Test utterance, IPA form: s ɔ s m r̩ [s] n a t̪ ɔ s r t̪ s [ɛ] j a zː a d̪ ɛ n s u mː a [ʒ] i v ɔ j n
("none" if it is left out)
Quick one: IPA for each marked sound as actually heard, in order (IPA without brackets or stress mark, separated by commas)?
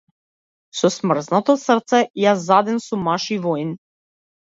z, ɛ, ʃ